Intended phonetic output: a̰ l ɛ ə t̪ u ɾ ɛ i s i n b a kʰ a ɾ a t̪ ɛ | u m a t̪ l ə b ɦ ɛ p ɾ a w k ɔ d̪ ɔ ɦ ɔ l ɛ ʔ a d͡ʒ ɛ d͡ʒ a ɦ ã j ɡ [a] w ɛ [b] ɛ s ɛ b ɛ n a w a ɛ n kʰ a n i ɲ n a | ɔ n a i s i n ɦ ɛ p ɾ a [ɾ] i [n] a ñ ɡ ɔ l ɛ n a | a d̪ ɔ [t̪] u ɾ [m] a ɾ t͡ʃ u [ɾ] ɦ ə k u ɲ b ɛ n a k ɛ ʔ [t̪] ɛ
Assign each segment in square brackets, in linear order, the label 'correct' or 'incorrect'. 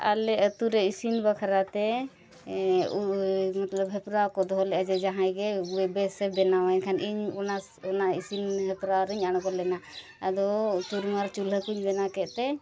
incorrect: ɛ, correct, correct, incorrect: ɲ, correct, correct, incorrect: l, correct

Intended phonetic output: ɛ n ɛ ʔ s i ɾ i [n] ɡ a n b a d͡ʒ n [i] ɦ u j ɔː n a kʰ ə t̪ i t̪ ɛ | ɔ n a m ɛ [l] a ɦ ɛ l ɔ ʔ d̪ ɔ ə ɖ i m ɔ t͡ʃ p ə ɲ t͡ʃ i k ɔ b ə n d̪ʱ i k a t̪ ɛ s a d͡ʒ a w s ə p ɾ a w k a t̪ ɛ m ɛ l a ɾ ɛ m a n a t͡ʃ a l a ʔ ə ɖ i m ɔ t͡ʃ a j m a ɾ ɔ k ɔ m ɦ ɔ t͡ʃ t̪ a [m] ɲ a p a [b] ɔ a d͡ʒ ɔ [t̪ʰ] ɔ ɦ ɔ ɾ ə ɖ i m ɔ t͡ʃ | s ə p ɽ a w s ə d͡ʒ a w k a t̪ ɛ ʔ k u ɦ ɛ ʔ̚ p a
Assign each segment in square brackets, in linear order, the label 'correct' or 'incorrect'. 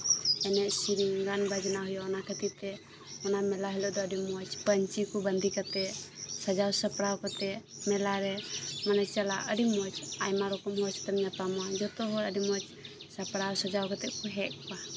incorrect: ŋ, incorrect: a, correct, correct, incorrect: m, incorrect: t̪

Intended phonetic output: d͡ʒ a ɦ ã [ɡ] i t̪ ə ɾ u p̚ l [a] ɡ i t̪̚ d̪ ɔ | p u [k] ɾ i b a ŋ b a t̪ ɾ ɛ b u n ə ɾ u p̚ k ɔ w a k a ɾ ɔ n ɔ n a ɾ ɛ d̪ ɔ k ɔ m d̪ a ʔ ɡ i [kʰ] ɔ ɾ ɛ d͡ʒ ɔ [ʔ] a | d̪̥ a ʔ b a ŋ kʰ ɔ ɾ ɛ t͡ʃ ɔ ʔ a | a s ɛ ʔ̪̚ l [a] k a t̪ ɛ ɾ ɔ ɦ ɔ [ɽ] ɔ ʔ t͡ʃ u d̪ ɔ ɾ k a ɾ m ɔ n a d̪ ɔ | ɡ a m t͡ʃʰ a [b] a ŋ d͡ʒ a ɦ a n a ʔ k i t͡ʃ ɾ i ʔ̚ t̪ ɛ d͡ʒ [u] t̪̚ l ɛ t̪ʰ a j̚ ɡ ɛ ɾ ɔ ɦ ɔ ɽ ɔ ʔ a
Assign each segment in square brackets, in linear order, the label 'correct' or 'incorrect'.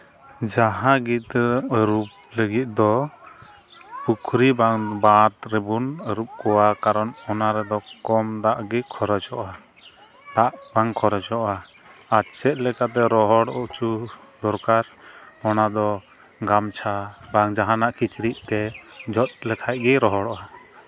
correct, incorrect: ə, incorrect: kʰ, correct, correct, incorrect: ɛ, correct, correct, incorrect: ɔ

